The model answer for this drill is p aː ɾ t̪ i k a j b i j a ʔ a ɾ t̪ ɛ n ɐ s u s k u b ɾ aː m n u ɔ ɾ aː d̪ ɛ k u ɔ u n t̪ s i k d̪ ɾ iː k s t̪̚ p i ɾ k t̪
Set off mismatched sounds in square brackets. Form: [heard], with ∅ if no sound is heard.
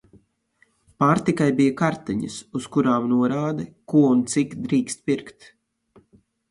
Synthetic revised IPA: p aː ɾ t̪ i k a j b i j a [k] a ɾ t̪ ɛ [ɲ] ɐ s u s k u [∅] ɾ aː m n u ɔ ɾ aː d̪ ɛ k u ɔ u n t̪ s i k d̪ ɾ iː k s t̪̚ p i ɾ k t̪